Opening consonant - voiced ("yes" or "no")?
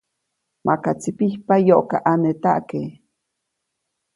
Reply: yes